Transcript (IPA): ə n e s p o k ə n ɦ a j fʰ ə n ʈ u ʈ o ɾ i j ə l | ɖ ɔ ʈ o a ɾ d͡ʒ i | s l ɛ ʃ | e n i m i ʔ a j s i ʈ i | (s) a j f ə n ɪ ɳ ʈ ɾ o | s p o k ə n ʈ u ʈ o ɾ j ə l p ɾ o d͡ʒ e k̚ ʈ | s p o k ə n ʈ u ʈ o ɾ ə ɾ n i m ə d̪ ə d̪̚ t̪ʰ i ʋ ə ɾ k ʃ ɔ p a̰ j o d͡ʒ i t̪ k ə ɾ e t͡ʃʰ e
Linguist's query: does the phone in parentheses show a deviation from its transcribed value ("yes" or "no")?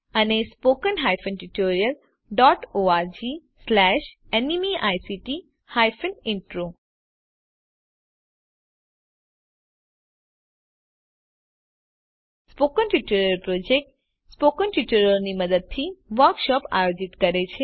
yes